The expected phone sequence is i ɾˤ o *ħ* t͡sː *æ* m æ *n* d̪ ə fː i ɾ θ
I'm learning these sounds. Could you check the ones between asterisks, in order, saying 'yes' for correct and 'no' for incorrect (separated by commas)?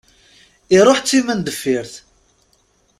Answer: yes, no, yes